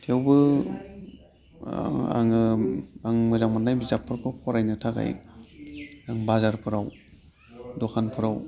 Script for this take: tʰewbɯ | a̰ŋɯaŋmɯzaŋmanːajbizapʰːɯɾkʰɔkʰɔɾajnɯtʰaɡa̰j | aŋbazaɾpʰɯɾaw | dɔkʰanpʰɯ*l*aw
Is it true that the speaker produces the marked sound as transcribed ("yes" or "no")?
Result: no